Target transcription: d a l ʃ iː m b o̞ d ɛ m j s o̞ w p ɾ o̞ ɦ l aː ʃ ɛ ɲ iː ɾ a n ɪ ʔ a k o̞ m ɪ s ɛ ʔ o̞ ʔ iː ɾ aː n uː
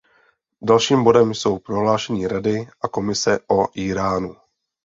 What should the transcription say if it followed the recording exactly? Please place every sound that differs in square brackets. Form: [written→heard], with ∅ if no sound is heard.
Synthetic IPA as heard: d a l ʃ iː m b o̞ d ɛ m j s o̞ w p ɾ o̞ ɦ l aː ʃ ɛ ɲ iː ɾ a [n→d] ɪ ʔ a k o̞ m ɪ s ɛ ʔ o̞ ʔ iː ɾ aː n [uː→u]